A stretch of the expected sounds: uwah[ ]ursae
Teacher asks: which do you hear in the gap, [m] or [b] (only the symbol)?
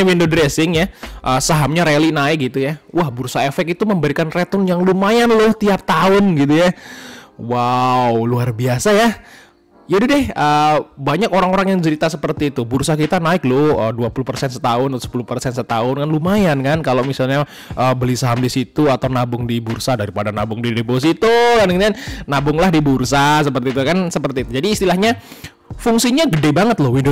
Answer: b